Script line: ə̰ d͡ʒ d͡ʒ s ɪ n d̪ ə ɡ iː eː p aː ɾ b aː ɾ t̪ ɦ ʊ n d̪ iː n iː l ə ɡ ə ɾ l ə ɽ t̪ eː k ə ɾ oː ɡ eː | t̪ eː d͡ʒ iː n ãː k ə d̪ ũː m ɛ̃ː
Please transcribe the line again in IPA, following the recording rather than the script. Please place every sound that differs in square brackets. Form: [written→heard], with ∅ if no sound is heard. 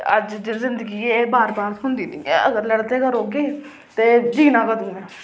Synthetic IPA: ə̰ d͡ʒ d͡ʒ [s→z] ɪ n d̪ ə ɡ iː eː [p→b] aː ɾ b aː ɾ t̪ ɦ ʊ n d̪ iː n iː [l→∅] ə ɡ ə ɾ l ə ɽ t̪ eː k ə ɾ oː ɡ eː | t̪ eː d͡ʒ iː n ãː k ə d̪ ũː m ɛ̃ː